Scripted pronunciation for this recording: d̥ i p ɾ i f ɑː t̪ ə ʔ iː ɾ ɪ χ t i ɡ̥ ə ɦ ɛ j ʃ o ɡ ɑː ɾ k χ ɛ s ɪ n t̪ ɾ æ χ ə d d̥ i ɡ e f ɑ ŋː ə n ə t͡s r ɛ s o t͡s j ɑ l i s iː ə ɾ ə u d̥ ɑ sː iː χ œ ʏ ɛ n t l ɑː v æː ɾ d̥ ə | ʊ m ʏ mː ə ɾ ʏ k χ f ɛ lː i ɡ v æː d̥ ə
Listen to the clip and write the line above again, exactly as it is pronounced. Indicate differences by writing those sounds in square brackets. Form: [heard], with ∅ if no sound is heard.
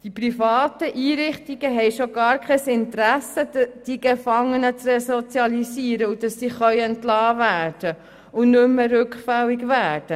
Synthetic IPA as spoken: d̥ i p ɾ i f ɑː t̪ ə ʔ iː ɾ ɪ χ t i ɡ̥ ə ɦ ɛ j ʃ o ɡ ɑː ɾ k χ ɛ s ɪ n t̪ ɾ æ [s] ə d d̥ i ɡ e f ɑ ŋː ə n ə t͡s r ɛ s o t͡s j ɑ l i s iː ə ɾ ə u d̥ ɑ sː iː χ œ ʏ ɛ n t l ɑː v æː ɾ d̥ ə | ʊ [n] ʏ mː ə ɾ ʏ k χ f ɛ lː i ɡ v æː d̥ ə